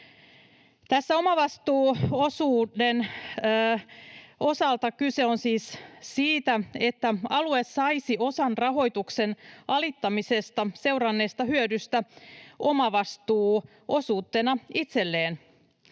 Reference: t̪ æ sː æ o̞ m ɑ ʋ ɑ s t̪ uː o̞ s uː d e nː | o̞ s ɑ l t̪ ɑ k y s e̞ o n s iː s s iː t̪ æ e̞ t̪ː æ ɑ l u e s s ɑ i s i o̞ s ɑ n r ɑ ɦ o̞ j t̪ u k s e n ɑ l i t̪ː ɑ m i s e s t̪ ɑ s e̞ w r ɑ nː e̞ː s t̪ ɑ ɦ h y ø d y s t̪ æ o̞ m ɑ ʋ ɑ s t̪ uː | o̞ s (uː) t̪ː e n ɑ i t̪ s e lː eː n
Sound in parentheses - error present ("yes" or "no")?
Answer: no